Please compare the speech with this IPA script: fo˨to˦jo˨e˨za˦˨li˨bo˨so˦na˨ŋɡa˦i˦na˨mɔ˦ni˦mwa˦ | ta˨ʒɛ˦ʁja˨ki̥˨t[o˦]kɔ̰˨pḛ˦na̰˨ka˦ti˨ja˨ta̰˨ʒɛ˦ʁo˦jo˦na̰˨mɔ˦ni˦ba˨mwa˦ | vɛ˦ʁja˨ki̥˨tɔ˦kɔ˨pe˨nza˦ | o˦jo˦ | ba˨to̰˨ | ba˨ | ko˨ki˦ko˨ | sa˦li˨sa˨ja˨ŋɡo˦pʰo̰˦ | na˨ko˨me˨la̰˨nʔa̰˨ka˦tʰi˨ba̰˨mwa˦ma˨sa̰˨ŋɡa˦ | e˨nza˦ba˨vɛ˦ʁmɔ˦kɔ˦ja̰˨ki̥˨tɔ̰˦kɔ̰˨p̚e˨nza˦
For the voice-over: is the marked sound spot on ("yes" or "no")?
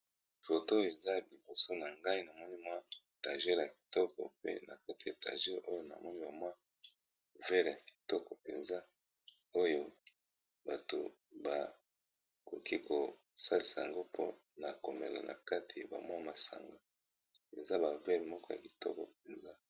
no